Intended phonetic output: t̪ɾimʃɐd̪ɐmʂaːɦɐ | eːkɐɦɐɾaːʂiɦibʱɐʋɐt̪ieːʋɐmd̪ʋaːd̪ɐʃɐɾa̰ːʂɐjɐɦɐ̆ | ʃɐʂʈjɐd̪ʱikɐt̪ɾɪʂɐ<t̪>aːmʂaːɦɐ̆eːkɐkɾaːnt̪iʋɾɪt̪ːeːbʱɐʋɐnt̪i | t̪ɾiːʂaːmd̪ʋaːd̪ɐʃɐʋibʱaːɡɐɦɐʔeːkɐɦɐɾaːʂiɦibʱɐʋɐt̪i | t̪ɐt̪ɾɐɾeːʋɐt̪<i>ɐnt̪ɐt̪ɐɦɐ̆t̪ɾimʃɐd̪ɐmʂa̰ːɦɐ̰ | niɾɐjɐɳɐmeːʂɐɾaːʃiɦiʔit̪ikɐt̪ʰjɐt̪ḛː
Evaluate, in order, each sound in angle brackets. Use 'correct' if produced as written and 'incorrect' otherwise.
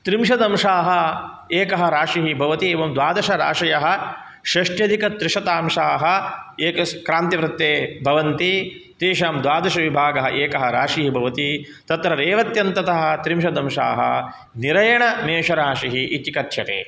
correct, incorrect: j

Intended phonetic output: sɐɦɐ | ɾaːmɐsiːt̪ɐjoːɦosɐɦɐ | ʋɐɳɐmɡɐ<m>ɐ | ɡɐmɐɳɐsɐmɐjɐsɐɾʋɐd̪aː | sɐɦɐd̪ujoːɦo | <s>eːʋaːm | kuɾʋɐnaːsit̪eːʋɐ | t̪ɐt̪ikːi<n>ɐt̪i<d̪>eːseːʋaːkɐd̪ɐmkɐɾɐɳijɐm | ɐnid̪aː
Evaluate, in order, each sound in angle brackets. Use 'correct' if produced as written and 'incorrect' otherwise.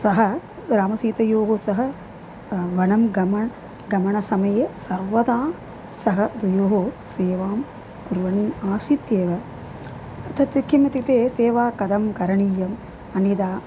correct, correct, incorrect: m, incorrect: t̪

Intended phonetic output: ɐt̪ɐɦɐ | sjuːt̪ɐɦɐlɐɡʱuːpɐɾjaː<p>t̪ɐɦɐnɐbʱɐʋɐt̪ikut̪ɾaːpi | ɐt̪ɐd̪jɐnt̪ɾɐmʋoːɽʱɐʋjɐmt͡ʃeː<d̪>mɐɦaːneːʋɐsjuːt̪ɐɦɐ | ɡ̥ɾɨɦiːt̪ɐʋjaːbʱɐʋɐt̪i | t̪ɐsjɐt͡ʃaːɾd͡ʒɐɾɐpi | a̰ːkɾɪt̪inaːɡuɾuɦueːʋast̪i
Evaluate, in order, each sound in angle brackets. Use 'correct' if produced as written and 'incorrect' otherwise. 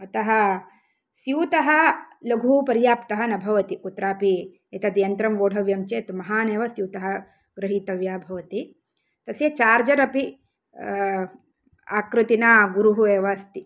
correct, incorrect: t̪

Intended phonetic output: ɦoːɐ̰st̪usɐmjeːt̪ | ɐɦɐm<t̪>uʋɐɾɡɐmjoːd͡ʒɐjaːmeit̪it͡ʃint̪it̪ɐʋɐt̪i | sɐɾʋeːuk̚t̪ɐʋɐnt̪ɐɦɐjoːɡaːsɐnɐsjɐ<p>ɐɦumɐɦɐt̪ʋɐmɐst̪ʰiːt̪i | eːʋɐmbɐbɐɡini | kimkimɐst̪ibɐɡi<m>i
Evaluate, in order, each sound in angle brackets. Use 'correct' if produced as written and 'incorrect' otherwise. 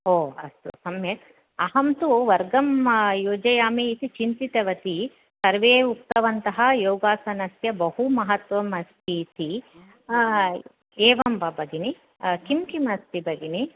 correct, incorrect: b, incorrect: n

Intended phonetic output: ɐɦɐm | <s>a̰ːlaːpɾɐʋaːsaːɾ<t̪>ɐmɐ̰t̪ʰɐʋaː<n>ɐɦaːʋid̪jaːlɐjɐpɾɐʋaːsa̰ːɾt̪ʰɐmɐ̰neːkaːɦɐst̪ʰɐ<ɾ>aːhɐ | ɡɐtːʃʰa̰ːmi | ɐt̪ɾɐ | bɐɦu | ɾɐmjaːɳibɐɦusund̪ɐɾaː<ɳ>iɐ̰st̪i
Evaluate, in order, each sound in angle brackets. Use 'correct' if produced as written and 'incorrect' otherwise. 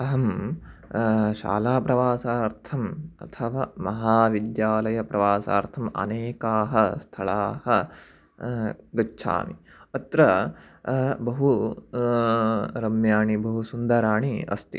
incorrect: ʃ, incorrect: t̪ʰ, incorrect: m, incorrect: ɭ, correct

